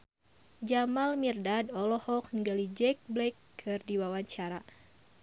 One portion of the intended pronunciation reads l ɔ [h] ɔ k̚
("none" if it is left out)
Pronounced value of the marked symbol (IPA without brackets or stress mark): h